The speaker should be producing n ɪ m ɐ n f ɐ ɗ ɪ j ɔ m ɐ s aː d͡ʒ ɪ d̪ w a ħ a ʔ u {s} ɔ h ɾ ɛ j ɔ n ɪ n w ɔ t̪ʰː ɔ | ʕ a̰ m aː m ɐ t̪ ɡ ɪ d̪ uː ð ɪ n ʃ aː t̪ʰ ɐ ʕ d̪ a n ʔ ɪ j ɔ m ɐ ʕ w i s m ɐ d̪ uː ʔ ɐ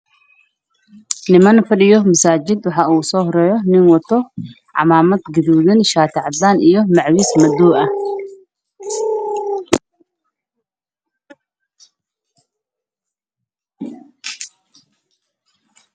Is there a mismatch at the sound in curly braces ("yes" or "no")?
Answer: no